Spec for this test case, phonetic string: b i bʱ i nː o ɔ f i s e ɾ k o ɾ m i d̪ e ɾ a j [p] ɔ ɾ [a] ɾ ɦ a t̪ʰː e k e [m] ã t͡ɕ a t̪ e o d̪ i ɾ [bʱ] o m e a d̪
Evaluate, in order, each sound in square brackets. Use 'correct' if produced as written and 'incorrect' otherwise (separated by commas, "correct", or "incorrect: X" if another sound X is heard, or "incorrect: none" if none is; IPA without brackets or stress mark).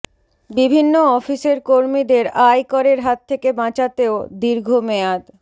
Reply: incorrect: k, incorrect: e, incorrect: b, incorrect: ɡʱ